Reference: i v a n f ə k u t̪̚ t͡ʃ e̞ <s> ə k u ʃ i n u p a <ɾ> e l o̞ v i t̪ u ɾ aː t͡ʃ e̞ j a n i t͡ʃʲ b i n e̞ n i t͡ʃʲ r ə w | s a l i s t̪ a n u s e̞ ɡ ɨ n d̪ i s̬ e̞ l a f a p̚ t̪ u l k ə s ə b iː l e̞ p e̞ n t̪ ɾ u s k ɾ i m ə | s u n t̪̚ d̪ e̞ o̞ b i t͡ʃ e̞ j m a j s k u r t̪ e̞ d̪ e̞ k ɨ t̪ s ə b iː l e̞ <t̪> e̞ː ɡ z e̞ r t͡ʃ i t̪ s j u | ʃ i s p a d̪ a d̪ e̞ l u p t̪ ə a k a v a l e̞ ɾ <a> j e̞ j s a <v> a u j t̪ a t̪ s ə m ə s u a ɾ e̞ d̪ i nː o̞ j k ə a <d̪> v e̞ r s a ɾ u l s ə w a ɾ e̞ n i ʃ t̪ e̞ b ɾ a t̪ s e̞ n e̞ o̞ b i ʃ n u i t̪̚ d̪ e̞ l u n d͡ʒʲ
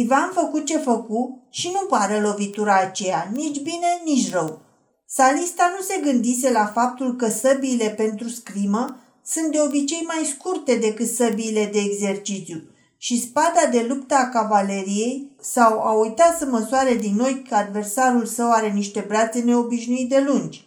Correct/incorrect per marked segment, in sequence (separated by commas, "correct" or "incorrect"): incorrect, correct, incorrect, incorrect, incorrect, correct